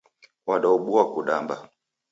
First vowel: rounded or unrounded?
unrounded